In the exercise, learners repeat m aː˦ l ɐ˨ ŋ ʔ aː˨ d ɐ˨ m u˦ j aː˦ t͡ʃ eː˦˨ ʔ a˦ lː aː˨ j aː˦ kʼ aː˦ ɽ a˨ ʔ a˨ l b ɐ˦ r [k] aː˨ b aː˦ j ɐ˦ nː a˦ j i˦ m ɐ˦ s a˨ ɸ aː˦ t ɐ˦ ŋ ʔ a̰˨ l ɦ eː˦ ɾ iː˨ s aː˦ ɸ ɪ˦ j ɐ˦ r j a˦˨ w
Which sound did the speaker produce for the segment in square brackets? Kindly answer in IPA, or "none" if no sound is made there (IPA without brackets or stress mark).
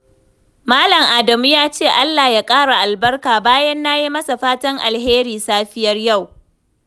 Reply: k